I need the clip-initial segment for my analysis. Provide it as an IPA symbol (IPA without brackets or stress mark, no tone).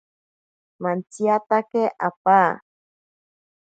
m